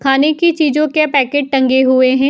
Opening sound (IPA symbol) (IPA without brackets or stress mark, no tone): kʰ